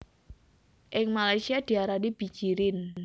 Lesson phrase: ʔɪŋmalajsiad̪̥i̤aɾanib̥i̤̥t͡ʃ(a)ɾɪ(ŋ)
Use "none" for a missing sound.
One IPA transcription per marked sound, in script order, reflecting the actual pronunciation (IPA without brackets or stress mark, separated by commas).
i, n